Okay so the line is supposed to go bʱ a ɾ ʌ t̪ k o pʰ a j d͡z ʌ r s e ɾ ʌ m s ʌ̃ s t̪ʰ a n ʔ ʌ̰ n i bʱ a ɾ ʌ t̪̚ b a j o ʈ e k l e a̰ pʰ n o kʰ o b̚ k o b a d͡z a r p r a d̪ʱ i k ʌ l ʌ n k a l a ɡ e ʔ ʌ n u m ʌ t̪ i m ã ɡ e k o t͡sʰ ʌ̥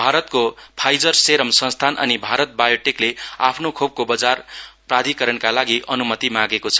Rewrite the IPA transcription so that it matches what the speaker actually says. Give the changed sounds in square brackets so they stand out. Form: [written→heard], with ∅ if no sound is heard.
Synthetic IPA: bʱ a ɾ ʌ t̪ k o pʰ a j d͡z ʌ r s e ɾ ʌ m s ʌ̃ s t̪ʰ a n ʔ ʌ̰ n i bʱ a ɾ ʌ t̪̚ b a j o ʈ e k l e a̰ pʰ n o kʰ o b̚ k o b [a→ʌ] d͡z a r p r a d̪ʱ i k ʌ [l→ɾ] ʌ n k a l a ɡ [e→i] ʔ ʌ n u m ʌ t̪ i m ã ɡ e k o t͡sʰ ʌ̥